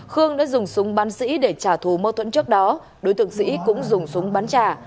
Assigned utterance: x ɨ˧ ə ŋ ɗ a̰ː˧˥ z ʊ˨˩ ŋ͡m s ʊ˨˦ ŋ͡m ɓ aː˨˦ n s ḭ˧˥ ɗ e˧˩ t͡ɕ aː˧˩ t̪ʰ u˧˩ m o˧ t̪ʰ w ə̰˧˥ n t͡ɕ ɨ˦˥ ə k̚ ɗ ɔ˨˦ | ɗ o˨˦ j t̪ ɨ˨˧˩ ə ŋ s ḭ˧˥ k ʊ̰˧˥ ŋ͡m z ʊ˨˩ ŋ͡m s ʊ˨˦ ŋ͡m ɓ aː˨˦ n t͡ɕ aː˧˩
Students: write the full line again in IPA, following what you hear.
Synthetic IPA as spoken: x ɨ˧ ə ŋ ɗ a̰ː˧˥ z ʊ˨˩ ŋ͡m s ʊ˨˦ ŋ͡m ɓ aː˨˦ n s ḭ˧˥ ɗ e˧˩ t͡ɕ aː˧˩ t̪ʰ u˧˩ m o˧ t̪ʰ w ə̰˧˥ n t͡ɕ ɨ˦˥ ə k̚ ɗ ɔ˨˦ | ɗ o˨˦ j t̪ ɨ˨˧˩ ə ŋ s ḭ˧˥ k ʊ̰˧˥ ŋ͡m z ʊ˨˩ ŋ͡m s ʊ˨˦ ŋ͡m ɓ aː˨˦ n t͡ɕ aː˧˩